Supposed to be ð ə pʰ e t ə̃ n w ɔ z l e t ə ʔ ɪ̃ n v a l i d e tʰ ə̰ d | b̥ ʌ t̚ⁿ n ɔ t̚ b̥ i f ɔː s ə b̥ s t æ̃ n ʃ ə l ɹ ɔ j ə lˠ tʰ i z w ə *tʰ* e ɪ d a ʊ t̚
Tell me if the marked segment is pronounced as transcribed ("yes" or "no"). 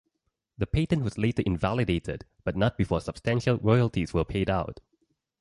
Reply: no